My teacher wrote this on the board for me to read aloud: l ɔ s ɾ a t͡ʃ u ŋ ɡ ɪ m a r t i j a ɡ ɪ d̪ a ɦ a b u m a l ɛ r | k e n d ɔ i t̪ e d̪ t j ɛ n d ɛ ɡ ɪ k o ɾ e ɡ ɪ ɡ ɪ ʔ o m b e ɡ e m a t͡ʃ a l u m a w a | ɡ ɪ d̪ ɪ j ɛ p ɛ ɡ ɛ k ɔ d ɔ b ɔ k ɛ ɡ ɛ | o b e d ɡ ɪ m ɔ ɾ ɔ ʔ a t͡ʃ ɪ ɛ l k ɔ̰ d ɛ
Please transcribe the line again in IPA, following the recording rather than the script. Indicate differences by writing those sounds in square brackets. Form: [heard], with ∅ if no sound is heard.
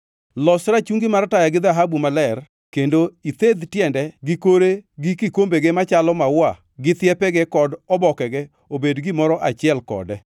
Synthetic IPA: l ɔ s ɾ a t͡ʃ u ŋ ɡ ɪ m a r t [a] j a ɡ ɪ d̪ a ɦ a b u m a l ɛ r | k e n d [o] i t̪ e d̪ t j ɛ n d ɛ ɡ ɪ k o ɾ e ɡ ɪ [k] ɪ [k] o m b e ɡ e m a t͡ʃ a l [ɔ] m a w a | ɡ ɪ [t̪] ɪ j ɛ p ɛ ɡ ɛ k ɔ d ɔ b ɔ k ɛ ɡ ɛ | o b e d ɡ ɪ m ɔ ɾ ɔ ʔ a t͡ʃ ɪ ɛ l k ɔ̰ d ɛ